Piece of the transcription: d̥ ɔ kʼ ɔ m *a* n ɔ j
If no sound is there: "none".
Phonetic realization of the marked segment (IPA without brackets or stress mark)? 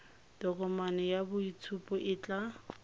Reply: a